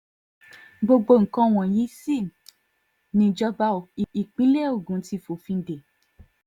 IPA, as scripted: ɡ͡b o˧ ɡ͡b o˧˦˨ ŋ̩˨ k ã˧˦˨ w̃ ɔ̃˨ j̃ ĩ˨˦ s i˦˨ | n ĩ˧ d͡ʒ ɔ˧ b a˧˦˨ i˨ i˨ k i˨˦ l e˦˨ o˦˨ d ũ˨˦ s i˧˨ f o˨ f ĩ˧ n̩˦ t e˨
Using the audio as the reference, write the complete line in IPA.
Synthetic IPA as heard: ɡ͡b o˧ ɡ͡b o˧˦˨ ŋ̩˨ k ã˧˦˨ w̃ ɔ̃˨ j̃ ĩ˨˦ s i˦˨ | n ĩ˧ d͡ʒ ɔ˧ b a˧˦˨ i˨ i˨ k͡p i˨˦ l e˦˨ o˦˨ ɡ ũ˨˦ t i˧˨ f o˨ f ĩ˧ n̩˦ d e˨